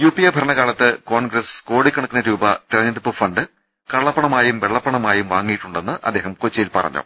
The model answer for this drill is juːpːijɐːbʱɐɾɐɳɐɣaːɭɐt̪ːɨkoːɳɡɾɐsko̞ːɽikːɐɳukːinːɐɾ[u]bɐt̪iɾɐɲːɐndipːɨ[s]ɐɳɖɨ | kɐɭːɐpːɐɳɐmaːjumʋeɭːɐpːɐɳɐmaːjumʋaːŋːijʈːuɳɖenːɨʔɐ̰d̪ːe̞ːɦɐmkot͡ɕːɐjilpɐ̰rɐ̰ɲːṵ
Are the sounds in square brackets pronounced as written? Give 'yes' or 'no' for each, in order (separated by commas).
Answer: no, no